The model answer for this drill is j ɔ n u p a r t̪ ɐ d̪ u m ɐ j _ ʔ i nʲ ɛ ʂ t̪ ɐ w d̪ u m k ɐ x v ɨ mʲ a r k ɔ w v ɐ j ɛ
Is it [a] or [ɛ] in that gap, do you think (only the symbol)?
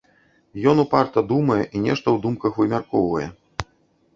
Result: ɛ